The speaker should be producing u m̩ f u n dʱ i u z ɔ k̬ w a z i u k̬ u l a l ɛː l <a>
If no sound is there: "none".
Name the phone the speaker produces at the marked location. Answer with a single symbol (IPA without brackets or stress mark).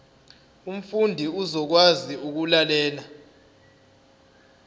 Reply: a